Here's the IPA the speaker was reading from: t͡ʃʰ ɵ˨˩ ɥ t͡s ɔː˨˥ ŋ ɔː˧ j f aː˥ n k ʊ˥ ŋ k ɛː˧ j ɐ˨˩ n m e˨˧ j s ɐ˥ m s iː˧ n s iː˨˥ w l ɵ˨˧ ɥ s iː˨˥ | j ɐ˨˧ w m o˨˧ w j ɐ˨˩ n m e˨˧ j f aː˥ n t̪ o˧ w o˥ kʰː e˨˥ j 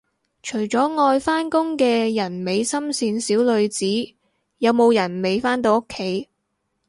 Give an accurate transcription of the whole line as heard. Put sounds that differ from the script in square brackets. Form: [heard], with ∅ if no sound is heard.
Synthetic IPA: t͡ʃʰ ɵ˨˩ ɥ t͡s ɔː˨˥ ŋ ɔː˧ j f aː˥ n k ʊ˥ ŋ k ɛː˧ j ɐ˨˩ n m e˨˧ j s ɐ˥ m s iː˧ n s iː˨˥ w l ɵ˨˧ ɥ [t͡s] iː˨˥ | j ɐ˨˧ w m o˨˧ w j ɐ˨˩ n m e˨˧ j f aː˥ n t̪ o˧ w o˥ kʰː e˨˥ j